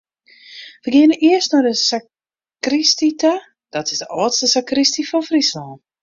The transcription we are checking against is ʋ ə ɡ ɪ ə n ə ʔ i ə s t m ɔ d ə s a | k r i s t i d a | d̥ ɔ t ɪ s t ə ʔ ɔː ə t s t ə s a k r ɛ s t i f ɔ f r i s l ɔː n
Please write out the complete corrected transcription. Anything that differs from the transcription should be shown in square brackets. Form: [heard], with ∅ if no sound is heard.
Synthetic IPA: ʋ ə ɡ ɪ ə n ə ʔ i ə s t [n] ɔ d ə s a | k r i s t i [t] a | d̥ ɔ t ɪ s [d] ə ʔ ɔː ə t s t ə s a k r [i] s t i f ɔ f r i s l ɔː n